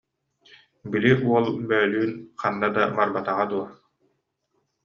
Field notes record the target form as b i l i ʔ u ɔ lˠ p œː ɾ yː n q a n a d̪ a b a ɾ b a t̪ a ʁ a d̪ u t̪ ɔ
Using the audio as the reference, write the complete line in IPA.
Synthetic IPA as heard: b i l i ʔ u ɔ lˠ b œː l yː n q a nː a d̪ a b a ɾ b a t̪ a ʁ a d̪ u ɔ